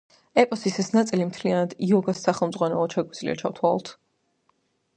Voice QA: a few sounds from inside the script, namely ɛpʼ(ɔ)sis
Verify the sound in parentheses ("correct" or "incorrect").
correct